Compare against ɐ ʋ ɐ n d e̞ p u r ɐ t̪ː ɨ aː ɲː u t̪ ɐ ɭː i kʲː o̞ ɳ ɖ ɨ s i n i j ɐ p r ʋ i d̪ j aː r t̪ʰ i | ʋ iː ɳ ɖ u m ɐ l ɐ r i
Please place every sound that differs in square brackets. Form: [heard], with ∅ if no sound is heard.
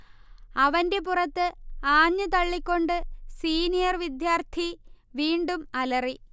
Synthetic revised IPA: ɐ ʋ ɐ n d e̞ p u r ɐ t̪ː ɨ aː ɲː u t̪ ɐ ɭː i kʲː o̞ ɳ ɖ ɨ s [iː] n i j ɐ [∅] r ʋ i d̪ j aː r t̪ʰ i | ʋ iː ɳ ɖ u m ɐ l ɐ r i